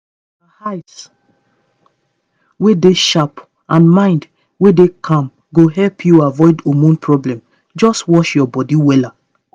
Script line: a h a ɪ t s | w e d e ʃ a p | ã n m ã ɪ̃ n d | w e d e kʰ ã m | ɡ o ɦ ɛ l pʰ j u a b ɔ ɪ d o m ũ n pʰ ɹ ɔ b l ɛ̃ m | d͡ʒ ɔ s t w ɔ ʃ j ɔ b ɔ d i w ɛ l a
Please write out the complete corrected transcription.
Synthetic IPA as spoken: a h a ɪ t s | w e d e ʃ a p | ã n m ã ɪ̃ n d | w e d e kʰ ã m | ɡ o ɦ ɛ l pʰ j u a v ɔ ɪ d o m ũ n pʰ ɹ ɔ b l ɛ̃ m | d͡ʒ ɔ s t w ɔ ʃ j ɔ b ɔ d i w ɛ l a